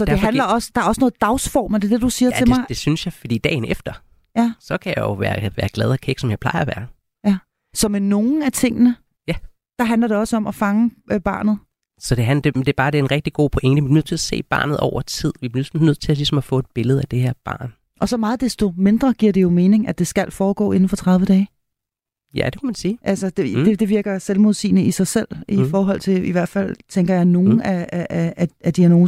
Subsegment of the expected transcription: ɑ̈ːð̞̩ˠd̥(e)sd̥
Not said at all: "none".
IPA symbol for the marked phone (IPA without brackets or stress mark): e